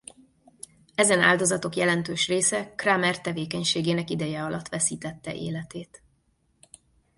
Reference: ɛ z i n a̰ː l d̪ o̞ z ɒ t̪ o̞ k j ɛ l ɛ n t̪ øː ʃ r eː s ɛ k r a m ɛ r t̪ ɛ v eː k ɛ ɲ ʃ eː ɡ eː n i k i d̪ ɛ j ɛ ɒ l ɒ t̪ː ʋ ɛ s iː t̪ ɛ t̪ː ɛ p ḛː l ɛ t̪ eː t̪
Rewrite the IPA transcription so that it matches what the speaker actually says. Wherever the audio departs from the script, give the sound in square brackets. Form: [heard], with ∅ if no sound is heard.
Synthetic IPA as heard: ɛ z [ɛ] n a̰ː l d̪ o̞ z ɒ t̪ o̞ k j ɛ l ɛ n t̪ øː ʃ r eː s ɛ k r a m ɛ r t̪ ɛ v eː k ɛ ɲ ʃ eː ɡ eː n [ɛ] k i d̪ ɛ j ɛ ɒ l ɒ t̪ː ʋ ɛ s iː t̪ ɛ t̪ː ɛ [ʔ] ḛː l ɛ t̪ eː t̪

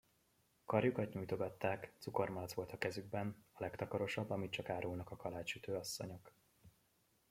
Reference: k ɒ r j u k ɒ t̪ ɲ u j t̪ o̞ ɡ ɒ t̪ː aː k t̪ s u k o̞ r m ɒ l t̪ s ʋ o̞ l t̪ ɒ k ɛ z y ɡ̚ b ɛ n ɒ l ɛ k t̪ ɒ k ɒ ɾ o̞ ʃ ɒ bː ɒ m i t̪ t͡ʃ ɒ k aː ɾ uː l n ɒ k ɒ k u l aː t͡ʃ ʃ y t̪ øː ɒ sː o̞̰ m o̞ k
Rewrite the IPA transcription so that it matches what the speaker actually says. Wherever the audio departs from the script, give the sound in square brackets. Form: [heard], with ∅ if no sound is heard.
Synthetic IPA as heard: k ɒ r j u k ɒ t̪ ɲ u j t̪ o̞ ɡ ɒ t̪ː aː k t̪ s u k o̞ r m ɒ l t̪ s ʋ o̞ l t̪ ɒ k ɛ z y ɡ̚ b ɛ n ɒ l ɛ k t̪ ɒ k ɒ ɾ o̞ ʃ ɒ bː ɒ m i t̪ t͡ʃ ɒ k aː ɾ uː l n ɒ k ɒ k [ɒ] l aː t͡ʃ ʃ y t̪ øː ɒ sː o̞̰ [ɲ] o̞ k

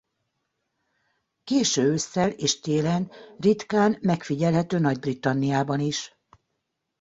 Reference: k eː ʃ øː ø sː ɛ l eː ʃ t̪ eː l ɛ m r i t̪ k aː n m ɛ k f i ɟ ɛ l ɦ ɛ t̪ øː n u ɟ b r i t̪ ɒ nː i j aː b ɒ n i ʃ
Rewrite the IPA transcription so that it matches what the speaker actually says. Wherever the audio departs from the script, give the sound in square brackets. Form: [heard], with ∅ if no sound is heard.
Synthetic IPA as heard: k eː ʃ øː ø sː ɛ l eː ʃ t̪ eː l ɛ [n] r i t̪ k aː n m ɛ k f i ɟ ɛ l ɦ ɛ t̪ øː n [ɒ] ɟ b r i t̪ ɒ nː i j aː b ɒ n i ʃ

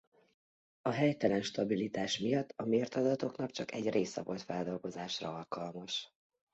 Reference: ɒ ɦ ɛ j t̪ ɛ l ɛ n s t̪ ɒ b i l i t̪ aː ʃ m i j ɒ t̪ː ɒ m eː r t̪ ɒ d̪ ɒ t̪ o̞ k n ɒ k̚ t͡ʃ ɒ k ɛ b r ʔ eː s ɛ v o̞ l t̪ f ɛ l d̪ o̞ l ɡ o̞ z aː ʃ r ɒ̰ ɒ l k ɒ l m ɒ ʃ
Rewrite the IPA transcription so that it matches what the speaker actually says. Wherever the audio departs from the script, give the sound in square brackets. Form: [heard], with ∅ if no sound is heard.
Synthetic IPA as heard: ɒ ɦ ɛ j t̪ ɛ l ɛ n [ʃ] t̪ ɒ b i l i t̪ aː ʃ m i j ɒ t̪ː ɒ m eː r t̪ ɒ d̪ ɒ t̪ o̞ k n ɒ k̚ t͡ʃ ɒ k ɛ [ɟ] r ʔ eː s ɛ v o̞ l t̪ f ɛ l d̪ o̞ l ɡ o̞ z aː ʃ r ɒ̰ ɒ l k ɒ l m ɒ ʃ

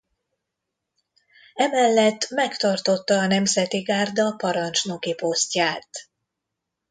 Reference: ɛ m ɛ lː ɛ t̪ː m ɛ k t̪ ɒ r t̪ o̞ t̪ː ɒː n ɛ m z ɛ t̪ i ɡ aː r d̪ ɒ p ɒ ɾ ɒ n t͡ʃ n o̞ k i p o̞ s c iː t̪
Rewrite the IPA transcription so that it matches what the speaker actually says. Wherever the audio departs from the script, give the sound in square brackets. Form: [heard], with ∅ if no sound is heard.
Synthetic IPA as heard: ɛ m ɛ lː ɛ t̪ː m ɛ k t̪ ɒ r t̪ o̞ t̪ː ɒː n ɛ m z ɛ t̪ i ɡ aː r d̪ ɒ p ɒ ɾ ɒ n t͡ʃ n o̞ k i p o̞ s c [aː] t̪

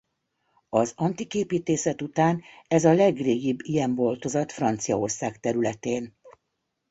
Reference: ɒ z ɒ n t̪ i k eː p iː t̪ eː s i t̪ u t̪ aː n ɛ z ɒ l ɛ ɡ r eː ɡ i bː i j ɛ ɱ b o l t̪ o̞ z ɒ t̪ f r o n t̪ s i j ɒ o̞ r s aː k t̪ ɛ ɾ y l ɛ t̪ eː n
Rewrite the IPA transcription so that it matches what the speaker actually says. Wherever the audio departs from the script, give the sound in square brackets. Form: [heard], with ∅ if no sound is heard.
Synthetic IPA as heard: ɒ z ɒ n t̪ i k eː p iː t̪ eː s [ɛ] t̪ u t̪ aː n ɛ z ɒ l ɛ ɡ r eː ɡ i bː i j ɛ ɱ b o l t̪ o̞ z ɒ t̪ f r [ɒ] n t̪ s i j ɒ o̞ r s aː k t̪ ɛ ɾ y l ɛ t̪ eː n

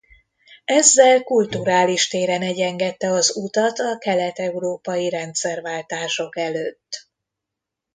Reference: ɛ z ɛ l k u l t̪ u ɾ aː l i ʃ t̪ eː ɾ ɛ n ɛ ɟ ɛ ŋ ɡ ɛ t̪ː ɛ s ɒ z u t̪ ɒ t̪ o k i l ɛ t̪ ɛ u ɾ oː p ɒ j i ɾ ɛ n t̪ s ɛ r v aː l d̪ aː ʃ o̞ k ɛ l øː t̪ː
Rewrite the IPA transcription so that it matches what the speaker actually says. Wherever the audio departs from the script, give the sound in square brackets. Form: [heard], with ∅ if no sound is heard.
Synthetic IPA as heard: ɛ [zː] ɛ l k u l t̪ u ɾ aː l i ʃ t̪ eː ɾ ɛ n ɛ ɟ ɛ ŋ ɡ ɛ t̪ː ɛ [∅] ɒ z u t̪ ɒ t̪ [ɒ] k [ɛ] l ɛ t̪ ɛ u ɾ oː p ɒ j i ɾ ɛ n t̪ s ɛ r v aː l [t̪] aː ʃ o̞ k ɛ l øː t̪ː

